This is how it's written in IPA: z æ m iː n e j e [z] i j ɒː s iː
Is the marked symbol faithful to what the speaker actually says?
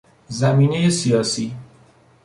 no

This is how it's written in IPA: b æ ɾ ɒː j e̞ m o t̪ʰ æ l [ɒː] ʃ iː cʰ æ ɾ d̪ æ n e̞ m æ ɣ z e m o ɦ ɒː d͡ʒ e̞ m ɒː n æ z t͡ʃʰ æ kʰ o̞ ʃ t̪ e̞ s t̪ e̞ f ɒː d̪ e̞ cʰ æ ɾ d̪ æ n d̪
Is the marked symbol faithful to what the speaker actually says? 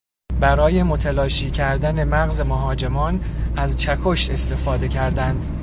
yes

